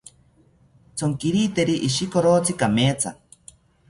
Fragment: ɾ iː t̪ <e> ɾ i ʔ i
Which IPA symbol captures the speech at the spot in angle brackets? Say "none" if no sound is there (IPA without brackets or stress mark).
e